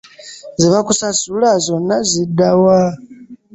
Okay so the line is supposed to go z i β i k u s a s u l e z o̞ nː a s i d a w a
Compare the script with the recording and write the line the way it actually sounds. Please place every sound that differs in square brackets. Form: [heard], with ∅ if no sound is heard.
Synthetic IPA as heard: z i β [a] k u s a s u l [a] z o̞ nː a [z] i d a w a